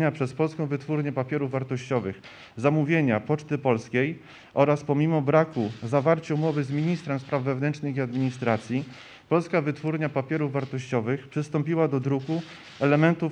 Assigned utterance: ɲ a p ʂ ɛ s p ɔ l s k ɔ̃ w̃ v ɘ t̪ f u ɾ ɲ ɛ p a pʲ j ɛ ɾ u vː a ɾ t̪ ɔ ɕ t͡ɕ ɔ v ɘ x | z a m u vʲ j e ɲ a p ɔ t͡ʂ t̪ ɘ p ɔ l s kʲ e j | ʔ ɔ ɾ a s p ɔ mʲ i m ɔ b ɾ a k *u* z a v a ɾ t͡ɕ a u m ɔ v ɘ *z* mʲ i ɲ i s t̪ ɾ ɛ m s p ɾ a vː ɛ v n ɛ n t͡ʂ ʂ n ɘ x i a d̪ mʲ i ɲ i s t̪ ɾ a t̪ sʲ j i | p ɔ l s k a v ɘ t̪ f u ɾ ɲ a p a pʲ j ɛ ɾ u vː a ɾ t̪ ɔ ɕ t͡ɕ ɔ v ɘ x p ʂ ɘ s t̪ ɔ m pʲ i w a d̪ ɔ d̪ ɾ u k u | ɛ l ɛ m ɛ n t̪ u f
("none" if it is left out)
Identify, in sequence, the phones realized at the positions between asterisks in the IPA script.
u, z

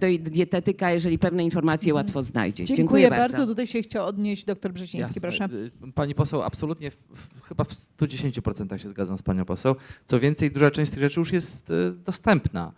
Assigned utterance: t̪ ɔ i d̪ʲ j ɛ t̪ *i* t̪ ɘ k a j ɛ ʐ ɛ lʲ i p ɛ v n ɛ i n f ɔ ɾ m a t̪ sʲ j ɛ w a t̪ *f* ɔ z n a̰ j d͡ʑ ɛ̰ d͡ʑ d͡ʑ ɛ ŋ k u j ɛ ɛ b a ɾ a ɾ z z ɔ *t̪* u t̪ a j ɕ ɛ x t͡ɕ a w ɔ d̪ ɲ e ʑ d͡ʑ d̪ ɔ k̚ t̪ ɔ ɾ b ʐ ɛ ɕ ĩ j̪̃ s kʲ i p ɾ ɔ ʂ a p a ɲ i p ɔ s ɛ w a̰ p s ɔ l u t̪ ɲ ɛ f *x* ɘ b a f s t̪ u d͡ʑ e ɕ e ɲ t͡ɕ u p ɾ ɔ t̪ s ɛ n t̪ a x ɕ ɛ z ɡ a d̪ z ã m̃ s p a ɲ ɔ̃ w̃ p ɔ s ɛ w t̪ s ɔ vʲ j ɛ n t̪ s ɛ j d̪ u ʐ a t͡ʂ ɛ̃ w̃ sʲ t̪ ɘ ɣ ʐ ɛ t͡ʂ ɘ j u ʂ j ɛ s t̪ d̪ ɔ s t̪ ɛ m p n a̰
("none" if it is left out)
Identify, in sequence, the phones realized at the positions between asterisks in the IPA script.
ɛ, f, t̪, x

